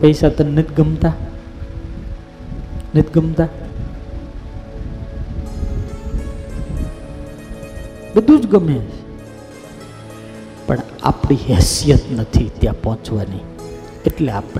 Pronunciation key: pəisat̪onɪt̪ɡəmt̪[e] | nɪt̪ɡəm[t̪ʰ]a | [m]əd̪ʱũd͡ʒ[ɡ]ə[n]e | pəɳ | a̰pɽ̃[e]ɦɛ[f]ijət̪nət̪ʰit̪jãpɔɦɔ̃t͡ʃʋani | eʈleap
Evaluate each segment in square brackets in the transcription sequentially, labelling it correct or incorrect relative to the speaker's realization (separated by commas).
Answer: incorrect, incorrect, incorrect, correct, incorrect, incorrect, incorrect